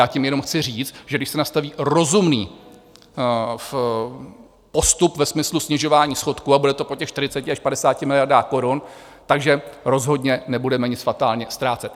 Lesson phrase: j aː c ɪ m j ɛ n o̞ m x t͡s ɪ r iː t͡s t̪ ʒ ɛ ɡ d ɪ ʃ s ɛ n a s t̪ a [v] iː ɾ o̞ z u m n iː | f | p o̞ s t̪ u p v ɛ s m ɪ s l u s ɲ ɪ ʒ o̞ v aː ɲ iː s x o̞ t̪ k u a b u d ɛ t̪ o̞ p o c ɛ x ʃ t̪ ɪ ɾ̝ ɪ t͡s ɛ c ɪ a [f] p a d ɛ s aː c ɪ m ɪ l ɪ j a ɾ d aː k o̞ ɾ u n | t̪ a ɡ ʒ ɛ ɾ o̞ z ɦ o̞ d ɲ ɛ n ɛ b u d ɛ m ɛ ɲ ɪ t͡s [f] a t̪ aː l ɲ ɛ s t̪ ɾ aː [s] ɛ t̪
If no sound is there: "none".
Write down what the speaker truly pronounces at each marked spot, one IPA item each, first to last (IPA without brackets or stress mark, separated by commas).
v, ʃ, f, t͡s